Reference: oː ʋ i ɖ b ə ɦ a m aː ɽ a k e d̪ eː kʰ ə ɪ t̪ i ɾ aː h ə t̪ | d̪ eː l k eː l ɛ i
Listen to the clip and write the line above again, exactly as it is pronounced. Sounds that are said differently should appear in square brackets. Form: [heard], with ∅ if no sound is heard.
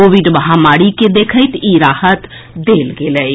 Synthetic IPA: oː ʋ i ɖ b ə ɦ a m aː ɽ [i] k e d̪ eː kʰ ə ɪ t̪ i ɾ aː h ə t̪ | d̪ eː l [ɡ] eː l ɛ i